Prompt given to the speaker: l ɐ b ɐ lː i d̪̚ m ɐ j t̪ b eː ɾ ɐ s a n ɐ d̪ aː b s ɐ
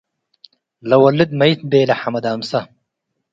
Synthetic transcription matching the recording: l ɐ w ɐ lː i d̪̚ m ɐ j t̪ b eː l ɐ ħ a m ɐ d̪ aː m s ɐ